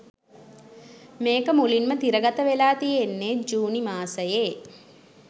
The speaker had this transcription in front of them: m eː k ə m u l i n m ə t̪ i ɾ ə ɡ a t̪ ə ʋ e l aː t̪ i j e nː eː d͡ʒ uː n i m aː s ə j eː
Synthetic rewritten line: m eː k ə m u l i n m ə t̪ i ɾ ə ɡ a t̪ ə ʋ e l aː t̪ i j e nː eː d͡ʒ uː n i m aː s ə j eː

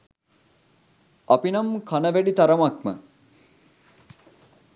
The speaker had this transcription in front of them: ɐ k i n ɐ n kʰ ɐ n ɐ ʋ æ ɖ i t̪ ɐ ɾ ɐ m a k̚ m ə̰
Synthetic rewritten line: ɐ p i n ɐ m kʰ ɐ n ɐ ʋ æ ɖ i t̪ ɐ ɾ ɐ m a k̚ m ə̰

